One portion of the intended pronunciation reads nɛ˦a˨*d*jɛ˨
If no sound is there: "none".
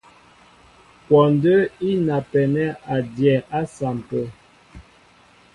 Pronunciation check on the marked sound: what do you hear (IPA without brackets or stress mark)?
d